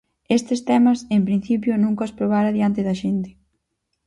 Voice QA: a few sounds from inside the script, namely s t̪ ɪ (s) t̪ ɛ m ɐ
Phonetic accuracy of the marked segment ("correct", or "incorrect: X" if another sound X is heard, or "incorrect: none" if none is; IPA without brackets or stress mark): correct